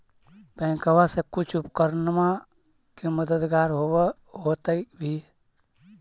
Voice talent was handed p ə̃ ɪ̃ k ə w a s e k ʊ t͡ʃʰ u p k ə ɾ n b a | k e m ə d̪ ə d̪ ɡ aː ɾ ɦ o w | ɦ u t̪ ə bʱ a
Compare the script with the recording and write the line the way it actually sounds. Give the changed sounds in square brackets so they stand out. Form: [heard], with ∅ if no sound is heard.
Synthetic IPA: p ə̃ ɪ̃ k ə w a s e k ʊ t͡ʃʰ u p k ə ɾ n [m] a | k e m ə d̪ ə d̪ ɡ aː ɾ ɦ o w | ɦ [o] t̪ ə bʱ [i]